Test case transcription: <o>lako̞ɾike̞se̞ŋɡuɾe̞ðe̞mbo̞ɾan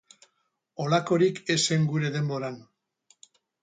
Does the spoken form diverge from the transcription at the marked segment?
no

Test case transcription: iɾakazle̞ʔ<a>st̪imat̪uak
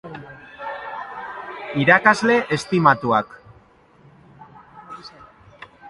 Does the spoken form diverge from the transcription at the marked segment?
yes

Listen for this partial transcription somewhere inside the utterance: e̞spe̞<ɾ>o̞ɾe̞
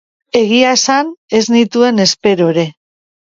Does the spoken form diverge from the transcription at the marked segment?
no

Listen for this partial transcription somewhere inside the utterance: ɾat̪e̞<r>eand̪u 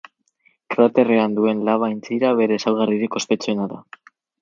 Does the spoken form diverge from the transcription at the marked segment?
no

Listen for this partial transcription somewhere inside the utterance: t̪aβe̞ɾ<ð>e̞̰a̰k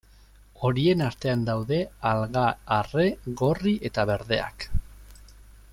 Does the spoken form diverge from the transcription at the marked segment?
no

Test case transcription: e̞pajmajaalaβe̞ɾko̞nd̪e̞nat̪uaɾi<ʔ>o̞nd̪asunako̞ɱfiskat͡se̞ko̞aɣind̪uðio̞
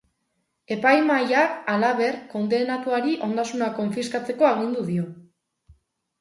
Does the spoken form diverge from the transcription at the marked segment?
no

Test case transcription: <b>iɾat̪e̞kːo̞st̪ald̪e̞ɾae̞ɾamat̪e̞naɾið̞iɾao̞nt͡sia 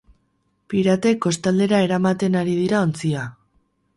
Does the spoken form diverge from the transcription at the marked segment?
yes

